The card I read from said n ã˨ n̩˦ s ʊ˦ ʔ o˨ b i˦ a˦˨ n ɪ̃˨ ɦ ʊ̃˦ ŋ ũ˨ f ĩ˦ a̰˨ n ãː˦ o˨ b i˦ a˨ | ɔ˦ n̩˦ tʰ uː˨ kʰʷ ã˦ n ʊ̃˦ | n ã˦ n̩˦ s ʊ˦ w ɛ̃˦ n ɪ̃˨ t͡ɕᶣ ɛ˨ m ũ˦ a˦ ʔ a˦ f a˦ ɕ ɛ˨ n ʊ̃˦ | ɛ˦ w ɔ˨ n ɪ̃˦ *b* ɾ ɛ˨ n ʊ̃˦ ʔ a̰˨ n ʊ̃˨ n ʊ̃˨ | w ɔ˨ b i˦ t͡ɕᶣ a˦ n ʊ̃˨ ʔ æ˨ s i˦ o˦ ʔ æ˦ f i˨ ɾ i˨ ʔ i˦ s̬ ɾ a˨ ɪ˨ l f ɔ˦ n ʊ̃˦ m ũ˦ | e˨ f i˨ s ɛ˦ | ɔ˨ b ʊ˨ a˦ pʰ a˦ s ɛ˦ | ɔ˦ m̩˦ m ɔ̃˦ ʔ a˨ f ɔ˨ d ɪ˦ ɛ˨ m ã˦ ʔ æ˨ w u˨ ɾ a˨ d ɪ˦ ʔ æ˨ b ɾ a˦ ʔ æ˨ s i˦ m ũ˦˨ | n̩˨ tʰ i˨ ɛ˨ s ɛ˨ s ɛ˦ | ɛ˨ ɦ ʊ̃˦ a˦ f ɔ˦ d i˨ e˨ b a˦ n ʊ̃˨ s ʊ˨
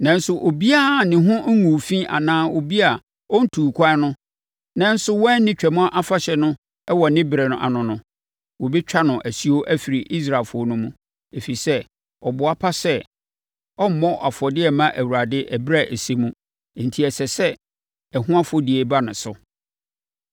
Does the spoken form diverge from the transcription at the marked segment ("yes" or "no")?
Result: no